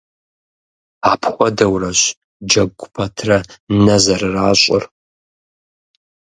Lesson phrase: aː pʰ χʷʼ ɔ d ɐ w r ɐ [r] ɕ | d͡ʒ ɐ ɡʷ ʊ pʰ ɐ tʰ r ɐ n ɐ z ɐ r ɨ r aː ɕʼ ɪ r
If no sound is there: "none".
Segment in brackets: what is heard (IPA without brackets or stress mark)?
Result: none